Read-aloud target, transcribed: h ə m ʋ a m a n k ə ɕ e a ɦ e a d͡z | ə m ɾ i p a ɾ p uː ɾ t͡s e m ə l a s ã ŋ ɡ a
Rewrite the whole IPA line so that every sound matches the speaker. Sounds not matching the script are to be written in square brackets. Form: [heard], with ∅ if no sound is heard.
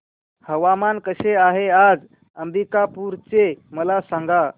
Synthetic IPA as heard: h ə [∅] ʋ a m a n k ə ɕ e a ɦ e a d͡z | ə m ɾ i [k] a [∅] p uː ɾ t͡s e m ə l a s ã ŋ ɡ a